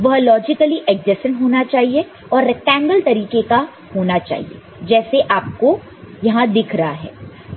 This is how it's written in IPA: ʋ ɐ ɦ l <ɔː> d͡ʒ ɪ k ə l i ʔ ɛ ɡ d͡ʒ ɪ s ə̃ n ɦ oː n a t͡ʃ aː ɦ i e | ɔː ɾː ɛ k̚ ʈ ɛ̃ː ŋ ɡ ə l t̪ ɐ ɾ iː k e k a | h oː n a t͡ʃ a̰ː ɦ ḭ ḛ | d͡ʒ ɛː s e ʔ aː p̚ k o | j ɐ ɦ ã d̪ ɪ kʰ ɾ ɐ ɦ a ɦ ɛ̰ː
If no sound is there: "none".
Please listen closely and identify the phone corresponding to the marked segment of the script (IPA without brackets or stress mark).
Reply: ɔː